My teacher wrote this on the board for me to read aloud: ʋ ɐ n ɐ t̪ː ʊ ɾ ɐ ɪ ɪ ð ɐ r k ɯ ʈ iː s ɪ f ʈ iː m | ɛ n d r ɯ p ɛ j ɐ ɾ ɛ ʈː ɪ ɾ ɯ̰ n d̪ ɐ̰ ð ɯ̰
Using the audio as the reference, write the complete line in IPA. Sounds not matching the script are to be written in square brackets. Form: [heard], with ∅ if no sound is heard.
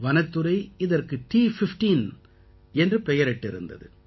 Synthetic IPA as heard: ʋ ɐ n ɐ t̪ː [ɯ] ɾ ɐ ɪ ɪ ð ɐ r k ɯ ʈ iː [f] ɪ f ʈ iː [n] | ɛ n d r ɯ p ɛ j ɐ ɾ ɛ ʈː ɪ ɾ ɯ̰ n d̪ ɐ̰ ð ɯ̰

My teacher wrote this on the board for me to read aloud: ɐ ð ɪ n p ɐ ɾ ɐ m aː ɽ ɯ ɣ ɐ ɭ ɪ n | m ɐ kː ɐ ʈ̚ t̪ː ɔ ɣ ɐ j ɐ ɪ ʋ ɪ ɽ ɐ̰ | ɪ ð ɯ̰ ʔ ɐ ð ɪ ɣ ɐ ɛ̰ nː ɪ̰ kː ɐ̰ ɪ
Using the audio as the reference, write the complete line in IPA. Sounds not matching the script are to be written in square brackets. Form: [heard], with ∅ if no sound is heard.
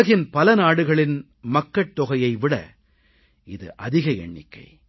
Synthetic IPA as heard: ɐ [ɣ] ɪ n p ɐ [l] ɐ [n] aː ɽ ɯ ɣ ɐ ɭ ɪ n | m ɐ kː ɐ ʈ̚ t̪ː ɔ ɣ ɐ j ɐ ɪ ʋ ɪ ɽ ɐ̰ | ɪ ð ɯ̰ ʔ ɐ ð ɪ ɣ ɐ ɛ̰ [ɳː] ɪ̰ kː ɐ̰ ɪ

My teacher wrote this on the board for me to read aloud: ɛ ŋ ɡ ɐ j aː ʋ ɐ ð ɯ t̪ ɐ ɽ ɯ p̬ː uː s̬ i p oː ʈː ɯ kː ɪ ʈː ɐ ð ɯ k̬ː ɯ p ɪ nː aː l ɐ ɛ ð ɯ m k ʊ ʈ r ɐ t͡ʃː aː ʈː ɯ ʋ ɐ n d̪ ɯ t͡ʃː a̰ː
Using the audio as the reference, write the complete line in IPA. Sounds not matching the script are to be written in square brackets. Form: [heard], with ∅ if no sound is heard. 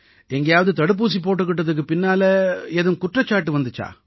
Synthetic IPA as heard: ɛ ŋ ɡ ɐ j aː ʋ ɐ ð ɯ t̪ ɐ ɽ ɯ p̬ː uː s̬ i p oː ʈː ɯ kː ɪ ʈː ɐ ð ɯ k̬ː ɯ p ɪ nː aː l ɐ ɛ ð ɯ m k ʊ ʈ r ɐ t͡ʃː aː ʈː ɯ ʋ ɐ n d̪ ɯ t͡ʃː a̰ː

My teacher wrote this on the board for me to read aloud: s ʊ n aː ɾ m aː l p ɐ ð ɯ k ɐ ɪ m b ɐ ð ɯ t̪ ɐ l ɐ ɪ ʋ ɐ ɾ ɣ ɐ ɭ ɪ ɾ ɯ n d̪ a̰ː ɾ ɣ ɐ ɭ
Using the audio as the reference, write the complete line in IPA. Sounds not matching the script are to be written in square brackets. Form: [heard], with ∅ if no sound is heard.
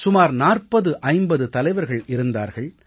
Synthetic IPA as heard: s ʊ [m] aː ɾ [n] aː [r] p ɐ ð ɯ [ʔ] ɐ ɪ m b ɐ ð ɯ t̪ ɐ l ɐ ɪ ʋ ɐ ɾ ɣ ɐ ɭ ɪ ɾ ɯ n d̪ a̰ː ɾ ɣ ɐ ɭ

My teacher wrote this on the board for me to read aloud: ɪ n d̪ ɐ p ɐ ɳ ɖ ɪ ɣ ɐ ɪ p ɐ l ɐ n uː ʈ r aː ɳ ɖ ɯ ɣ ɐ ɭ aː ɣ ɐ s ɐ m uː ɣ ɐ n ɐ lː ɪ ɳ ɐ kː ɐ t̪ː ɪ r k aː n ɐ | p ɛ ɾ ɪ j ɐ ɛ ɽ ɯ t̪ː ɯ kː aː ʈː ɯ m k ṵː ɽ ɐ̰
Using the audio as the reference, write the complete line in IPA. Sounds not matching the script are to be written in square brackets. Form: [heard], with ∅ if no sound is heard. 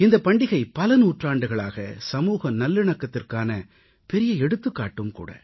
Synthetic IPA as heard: ɪ n d̪ ɐ p ɐ ɳ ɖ ɪ ɣ ɐ ɪ p ɐ l ɐ n uː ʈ r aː ɳ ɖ ɯ ɣ ɐ ɭ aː ɣ ɐ s ɐ m uː ɣ ɐ n ɐ lː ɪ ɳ ɐ kː ɐ t̪ː ɪ r k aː n ɐ | p ɛ ɾ ɪ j ɐ ɛ ɽ ɯ t̪ː ɯ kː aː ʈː ɯ m k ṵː ɽ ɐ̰

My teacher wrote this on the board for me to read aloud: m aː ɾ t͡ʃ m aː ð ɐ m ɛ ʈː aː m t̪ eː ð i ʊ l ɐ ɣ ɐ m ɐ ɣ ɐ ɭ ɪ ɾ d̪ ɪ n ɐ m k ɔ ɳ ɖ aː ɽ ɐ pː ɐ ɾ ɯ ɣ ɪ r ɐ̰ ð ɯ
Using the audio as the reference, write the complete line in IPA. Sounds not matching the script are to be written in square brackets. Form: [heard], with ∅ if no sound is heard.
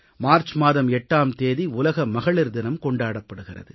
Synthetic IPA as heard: m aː ɾ t͡ʃ m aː ð ɐ m ɛ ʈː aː m t̪ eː ð i ʊ l ɐ ɣ ɐ m ɐ ɣ ɐ ɭ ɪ ɾ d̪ ɪ n ɐ m k ɔ ɳ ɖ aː ɽ ɐ pː ɐ [ɽ] ɯ ɣ ɪ r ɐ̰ ð ɯ

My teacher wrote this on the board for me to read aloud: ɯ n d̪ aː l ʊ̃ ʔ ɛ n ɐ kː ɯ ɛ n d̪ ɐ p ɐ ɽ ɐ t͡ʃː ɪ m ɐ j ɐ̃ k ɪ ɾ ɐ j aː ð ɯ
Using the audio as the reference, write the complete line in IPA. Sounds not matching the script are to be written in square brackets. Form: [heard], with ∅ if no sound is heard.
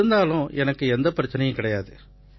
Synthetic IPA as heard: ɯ n d̪ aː l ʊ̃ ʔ ɛ n ɐ kː ɯ ɛ n d̪ ɐ p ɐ [ɾ] ɐ t͡ʃː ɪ [n] ɐ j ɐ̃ k ɪ [ɽ] ɐ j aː ð ɯ

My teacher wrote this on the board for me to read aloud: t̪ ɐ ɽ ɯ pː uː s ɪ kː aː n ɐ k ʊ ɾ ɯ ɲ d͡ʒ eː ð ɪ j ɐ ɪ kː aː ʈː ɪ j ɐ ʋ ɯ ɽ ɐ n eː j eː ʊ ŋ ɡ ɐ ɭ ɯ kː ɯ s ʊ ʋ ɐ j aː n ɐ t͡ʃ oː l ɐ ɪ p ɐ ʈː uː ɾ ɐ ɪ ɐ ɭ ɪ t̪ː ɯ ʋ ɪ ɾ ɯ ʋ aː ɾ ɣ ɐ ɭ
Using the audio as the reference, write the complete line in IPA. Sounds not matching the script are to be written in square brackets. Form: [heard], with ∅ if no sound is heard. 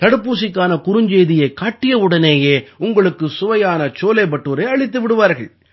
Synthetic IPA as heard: t̪ ɐ ɽ ɯ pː uː s ɪ kː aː n ɐ k ʊ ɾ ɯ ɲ d͡ʒ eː ð ɪ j ɐ ɪ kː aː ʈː ɪ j ɐ ʋ ɯ ɽ ɐ n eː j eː ʊ ŋ ɡ ɐ ɭ ɯ kː ɯ s ʊ ʋ ɐ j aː n ɐ t͡ʃ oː l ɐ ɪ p ɐ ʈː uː ɾ ɐ ɪ ɐ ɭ ɪ t̪ː ɯ ʋ ɪ [ɽ] ɯ ʋ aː ɾ ɣ ɐ ɭ

